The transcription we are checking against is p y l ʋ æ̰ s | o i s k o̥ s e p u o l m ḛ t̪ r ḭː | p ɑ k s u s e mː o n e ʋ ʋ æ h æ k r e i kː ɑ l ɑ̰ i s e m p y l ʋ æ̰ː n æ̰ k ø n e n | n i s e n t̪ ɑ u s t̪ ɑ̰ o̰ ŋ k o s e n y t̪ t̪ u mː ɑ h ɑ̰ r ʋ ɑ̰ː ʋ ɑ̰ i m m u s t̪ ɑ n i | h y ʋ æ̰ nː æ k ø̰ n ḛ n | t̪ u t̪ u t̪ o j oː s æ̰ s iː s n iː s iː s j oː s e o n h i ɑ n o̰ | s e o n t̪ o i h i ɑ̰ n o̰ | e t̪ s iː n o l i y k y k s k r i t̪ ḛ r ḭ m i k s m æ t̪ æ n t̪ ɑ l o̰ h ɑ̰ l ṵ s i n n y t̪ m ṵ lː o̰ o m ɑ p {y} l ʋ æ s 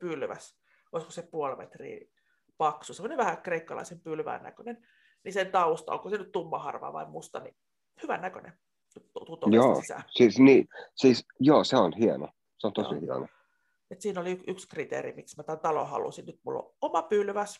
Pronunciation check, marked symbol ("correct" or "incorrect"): correct